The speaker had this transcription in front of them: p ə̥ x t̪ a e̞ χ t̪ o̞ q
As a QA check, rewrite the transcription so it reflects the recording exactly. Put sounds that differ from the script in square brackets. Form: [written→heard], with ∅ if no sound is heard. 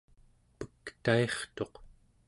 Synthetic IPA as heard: p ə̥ [x→k] t̪ a e̞ χ t̪ o̞ q